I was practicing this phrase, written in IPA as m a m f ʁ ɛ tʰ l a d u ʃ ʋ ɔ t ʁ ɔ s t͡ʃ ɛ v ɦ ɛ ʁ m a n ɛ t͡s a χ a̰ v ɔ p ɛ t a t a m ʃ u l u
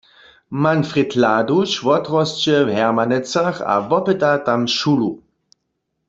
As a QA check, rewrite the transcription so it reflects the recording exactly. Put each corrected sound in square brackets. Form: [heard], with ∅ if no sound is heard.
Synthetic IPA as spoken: m a [n] f ʁ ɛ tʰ l a d u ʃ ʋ ɔ t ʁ ɔ s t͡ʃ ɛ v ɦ ɛ ʁ m a n ɛ t͡s a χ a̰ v ɔ p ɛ t a t a m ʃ u l u